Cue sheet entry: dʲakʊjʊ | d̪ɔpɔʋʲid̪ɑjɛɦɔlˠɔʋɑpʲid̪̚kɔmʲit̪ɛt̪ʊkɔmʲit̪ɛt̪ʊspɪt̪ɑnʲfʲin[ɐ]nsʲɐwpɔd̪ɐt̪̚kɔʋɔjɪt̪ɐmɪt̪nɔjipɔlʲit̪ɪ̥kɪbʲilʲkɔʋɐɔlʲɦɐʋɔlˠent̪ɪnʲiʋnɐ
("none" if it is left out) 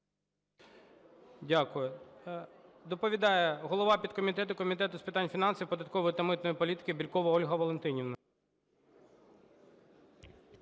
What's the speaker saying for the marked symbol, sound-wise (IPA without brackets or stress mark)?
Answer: ɑ